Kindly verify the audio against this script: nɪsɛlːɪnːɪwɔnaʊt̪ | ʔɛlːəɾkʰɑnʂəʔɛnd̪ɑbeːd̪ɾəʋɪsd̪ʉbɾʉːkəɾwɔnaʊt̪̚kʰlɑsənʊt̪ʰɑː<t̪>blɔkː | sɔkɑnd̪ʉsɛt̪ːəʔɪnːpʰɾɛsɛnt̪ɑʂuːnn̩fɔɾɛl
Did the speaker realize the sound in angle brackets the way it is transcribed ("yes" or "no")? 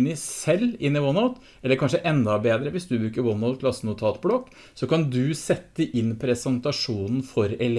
yes